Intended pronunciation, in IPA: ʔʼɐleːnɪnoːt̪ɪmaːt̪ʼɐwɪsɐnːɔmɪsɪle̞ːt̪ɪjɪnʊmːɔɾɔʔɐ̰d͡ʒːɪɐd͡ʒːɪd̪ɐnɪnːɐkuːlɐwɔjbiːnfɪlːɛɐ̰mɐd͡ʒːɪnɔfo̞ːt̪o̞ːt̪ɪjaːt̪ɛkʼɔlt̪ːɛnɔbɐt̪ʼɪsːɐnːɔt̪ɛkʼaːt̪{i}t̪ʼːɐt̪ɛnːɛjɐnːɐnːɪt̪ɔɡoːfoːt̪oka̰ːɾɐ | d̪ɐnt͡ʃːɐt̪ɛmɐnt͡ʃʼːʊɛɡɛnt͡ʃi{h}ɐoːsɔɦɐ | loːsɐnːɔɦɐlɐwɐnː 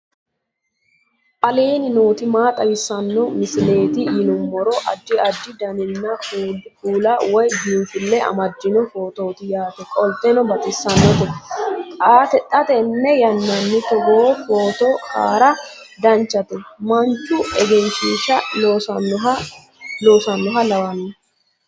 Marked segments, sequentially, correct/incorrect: incorrect: ɛ, incorrect: ʃ

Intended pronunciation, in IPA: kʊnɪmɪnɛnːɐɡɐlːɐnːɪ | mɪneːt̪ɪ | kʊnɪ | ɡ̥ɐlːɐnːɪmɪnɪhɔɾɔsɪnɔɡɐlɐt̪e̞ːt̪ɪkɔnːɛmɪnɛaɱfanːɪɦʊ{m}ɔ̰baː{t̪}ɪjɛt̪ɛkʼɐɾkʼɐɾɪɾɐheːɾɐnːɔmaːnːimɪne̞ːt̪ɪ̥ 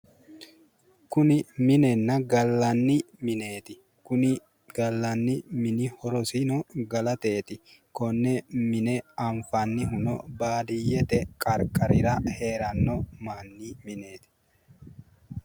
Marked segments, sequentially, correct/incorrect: incorrect: n, incorrect: d̪

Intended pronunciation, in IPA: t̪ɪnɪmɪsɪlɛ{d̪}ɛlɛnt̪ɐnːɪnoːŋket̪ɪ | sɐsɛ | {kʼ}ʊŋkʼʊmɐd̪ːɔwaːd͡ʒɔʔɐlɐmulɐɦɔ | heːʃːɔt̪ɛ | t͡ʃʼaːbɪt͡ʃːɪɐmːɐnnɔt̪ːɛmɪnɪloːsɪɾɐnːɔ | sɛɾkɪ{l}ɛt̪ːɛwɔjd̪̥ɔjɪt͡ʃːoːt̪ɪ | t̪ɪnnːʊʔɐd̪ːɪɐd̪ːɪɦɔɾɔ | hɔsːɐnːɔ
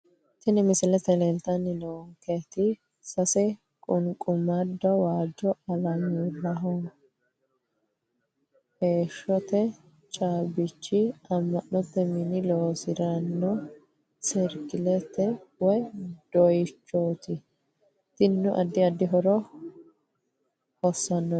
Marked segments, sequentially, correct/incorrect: incorrect: t̪, correct, correct

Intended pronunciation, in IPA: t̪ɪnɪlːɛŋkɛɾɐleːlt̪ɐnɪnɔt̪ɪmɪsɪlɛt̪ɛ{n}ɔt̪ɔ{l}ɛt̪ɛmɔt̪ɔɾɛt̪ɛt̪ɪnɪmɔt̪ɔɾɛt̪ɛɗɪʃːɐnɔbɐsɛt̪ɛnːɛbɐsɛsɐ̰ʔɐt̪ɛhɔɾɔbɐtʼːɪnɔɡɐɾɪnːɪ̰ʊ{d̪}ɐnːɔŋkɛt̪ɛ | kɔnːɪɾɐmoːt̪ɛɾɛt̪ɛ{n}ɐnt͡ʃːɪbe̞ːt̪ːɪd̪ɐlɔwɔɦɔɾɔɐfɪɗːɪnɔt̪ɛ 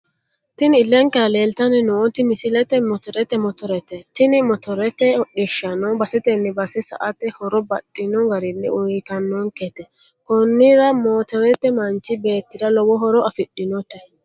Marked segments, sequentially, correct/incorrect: incorrect: m, incorrect: ɾ, incorrect: t̪, incorrect: m

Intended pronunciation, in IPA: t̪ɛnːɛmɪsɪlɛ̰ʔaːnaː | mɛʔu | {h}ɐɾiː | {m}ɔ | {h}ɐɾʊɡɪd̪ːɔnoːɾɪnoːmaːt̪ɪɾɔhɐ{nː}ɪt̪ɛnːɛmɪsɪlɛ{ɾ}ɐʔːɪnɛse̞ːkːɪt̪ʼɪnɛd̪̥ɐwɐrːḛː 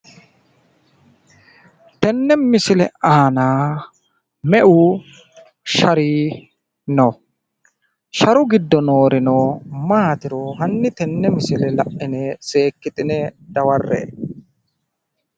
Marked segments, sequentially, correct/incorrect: incorrect: ʃ, incorrect: n, incorrect: ʃ, correct, incorrect: l

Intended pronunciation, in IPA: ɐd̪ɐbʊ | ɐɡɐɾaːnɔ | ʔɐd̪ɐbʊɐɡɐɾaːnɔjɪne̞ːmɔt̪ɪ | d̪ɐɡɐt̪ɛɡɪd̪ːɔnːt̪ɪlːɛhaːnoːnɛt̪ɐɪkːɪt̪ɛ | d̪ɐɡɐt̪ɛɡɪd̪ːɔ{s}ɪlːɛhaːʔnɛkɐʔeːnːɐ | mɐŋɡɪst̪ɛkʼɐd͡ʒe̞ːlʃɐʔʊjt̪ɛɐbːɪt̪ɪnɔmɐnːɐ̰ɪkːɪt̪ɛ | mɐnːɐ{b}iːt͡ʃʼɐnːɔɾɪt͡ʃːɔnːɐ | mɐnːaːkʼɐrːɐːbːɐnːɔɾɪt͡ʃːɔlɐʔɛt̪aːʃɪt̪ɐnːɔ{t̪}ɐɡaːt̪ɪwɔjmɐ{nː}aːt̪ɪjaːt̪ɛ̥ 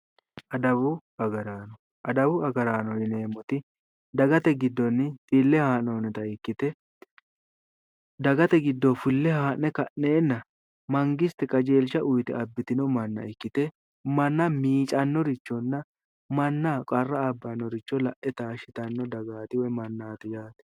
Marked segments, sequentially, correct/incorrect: incorrect: f, incorrect: m, incorrect: d̪, correct

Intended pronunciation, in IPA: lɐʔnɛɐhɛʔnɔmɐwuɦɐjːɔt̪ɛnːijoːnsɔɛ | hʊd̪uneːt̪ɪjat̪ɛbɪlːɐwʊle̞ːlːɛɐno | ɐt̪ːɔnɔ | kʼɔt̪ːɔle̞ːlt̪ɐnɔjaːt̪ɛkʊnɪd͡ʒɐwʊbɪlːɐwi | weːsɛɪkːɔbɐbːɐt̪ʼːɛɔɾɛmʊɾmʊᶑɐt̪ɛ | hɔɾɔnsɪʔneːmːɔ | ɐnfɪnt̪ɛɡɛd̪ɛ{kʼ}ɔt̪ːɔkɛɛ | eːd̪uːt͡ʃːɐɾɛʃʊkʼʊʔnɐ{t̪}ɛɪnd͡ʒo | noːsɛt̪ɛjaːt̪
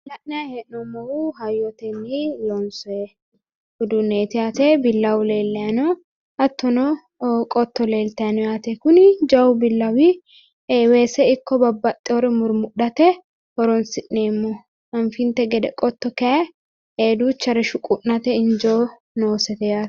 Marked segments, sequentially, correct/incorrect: correct, correct

